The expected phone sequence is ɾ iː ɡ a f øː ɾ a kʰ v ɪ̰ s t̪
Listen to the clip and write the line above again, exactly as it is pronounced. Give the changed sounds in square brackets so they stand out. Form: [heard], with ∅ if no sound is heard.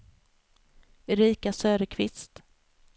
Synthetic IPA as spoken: ɾ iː [k] a [s] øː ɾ [ə] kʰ v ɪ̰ s t̪